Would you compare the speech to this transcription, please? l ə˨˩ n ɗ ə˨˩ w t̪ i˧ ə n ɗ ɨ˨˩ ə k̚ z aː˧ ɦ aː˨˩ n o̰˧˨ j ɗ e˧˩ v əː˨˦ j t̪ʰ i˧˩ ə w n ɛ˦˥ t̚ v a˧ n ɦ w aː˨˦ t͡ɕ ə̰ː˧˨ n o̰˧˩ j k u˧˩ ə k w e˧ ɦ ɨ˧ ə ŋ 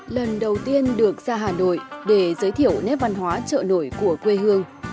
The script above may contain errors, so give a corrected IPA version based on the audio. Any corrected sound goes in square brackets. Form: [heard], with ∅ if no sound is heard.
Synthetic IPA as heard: l ə˨˩ n ɗ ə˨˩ w t̪ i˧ ə n ɗ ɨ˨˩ ə k̚ z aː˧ ɦ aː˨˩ n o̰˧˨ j ɗ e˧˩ [z] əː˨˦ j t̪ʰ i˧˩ ə w n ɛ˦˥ [p̚] v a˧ n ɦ w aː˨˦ t͡ɕ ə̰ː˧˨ n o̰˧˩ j k u˧˩ ə k w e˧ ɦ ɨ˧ ə ŋ